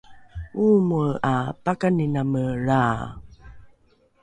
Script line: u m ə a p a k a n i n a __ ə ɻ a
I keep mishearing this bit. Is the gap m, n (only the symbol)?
m